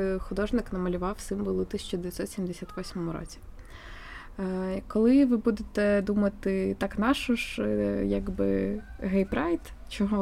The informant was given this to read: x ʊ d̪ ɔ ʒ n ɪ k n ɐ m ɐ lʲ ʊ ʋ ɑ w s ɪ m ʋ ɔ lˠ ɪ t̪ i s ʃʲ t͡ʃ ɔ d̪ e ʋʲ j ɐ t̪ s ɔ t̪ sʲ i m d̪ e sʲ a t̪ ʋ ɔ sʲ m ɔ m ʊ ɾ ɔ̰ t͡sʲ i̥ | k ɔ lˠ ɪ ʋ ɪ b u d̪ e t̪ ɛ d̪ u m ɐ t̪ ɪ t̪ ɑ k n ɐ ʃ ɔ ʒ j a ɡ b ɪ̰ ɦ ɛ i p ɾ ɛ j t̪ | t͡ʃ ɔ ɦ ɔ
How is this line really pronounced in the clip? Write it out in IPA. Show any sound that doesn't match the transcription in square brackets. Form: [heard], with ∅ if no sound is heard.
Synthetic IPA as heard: x ʊ d̪ ɔ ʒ n ɪ k n ɐ m ɐ lʲ ʊ ʋ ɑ w s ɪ m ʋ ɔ lˠ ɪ t̪ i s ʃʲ t͡ʃ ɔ d̪ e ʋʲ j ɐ t̪ s ɔ t̪ sʲ i m d̪ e sʲ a t̪ ʋ ɔ sʲ m ɔ m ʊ ɾ ɔ̰ t͡sʲ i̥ | k ɔ lˠ ɪ ʋ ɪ b u d̪ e t̪ ɛ d̪ u m ɐ t̪ ɪ t̪ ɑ k n [ɑ] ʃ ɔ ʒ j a ɡ b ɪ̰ ɦ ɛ [j] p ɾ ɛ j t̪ | t͡ʃ ɔ ɦ ɔ